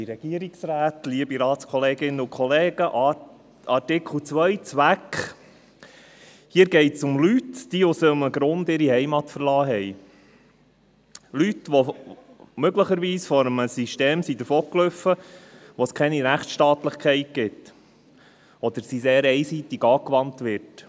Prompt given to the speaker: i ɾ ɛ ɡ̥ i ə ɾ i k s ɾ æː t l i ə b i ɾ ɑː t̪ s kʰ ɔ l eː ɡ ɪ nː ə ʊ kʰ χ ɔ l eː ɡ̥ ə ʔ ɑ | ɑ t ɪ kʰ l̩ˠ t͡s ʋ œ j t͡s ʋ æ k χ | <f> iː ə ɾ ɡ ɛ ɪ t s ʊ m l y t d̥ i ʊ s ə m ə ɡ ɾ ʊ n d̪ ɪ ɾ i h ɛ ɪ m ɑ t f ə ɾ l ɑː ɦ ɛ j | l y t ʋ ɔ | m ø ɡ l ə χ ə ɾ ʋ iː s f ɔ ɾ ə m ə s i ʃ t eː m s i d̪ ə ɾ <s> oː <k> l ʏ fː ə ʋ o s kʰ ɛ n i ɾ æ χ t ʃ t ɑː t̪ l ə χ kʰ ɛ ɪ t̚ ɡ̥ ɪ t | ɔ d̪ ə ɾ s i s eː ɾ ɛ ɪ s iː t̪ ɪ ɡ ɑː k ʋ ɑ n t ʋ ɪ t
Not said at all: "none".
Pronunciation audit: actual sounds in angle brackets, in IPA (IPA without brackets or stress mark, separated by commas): h, f, k